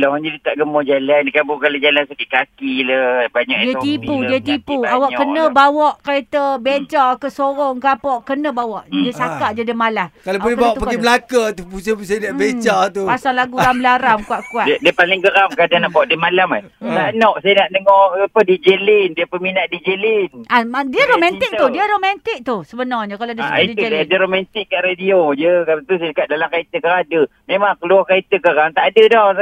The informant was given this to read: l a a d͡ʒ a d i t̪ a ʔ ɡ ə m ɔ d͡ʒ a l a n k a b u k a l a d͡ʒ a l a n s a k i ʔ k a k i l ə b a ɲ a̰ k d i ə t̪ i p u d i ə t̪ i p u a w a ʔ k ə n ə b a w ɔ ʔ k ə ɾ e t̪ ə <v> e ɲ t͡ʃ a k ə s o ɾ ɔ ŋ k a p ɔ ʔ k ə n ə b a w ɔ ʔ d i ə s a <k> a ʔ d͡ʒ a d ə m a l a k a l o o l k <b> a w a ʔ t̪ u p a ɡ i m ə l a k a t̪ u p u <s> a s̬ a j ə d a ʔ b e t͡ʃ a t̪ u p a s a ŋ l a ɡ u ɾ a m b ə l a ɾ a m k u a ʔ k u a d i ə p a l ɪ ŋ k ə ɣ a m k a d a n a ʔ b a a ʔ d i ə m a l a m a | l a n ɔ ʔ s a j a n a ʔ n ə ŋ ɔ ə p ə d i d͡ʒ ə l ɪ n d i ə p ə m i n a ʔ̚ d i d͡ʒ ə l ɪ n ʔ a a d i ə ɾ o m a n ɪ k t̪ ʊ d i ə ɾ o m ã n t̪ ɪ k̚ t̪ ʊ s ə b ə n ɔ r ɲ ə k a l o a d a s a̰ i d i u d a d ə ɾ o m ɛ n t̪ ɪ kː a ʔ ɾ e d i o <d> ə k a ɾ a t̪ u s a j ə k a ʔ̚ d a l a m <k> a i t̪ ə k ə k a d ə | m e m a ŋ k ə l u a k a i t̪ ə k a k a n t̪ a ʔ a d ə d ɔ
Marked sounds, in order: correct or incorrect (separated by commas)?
incorrect, correct, correct, correct, incorrect, correct